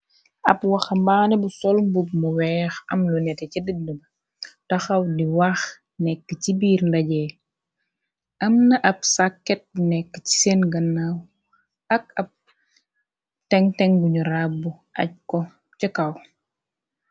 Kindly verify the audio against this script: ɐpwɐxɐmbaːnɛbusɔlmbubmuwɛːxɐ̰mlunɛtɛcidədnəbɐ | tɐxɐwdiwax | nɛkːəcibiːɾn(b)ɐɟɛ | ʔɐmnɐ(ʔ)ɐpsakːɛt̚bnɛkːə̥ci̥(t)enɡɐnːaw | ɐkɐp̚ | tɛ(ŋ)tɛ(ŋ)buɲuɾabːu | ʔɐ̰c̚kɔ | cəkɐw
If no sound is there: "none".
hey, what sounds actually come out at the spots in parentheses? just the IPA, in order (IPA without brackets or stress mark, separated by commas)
d, ʔ, s, ŋ, ŋ